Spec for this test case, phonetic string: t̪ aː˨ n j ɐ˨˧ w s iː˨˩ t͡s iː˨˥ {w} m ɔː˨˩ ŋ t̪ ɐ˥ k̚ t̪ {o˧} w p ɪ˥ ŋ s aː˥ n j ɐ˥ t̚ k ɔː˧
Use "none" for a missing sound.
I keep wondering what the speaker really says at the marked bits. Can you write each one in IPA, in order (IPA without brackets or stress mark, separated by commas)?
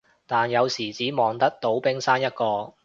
none, o˨˥